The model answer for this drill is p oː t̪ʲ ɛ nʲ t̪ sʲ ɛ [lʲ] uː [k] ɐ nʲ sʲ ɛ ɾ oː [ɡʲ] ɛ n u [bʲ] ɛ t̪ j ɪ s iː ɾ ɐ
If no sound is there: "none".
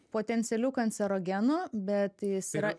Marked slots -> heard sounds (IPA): lʲ, k, ɡʲ, bʲ

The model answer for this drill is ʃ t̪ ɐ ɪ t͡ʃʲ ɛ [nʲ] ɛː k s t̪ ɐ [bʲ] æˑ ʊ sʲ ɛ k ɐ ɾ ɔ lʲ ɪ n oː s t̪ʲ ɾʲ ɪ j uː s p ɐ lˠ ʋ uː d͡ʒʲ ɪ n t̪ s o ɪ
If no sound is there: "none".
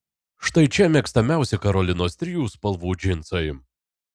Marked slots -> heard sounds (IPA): mʲ, mʲ

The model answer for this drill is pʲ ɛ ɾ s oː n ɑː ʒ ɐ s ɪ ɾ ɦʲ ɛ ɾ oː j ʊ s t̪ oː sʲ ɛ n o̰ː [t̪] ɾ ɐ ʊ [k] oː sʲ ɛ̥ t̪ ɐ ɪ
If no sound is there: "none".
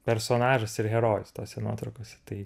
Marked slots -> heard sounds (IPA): t̪, k

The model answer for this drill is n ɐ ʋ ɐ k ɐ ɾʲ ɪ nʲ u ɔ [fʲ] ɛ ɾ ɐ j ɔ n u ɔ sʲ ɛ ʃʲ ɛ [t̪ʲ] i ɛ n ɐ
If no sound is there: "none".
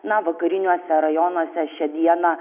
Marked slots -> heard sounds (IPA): sʲ, d̪ʲ

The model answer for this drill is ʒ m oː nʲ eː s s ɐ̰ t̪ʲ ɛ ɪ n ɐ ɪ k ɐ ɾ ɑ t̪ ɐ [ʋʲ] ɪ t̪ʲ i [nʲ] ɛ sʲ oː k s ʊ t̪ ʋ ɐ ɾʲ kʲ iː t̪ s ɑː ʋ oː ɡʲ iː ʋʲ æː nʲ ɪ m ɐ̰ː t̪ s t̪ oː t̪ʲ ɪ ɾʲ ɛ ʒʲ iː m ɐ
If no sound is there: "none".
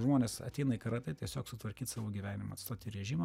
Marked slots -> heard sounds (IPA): none, none

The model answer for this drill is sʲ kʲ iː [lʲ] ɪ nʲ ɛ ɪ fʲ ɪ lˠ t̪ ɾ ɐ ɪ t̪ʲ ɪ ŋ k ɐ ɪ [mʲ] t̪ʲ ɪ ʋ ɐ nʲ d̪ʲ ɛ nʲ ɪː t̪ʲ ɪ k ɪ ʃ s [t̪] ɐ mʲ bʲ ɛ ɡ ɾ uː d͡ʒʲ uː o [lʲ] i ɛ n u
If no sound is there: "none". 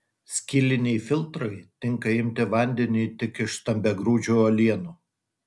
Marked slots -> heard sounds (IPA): lʲ, mʲ, t̪, lʲ

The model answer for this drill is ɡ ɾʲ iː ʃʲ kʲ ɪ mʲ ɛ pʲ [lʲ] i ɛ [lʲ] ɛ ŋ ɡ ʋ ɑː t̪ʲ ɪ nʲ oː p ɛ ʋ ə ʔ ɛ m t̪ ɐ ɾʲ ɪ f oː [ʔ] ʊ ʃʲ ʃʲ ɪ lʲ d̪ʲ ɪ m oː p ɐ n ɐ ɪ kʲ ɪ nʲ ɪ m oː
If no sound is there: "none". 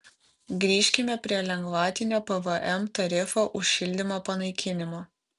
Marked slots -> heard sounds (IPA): ɾʲ, lʲ, ʔ

